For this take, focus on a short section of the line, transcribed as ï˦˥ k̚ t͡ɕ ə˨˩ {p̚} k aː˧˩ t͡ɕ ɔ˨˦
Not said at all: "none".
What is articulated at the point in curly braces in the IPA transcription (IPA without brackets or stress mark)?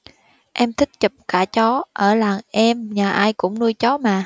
p̚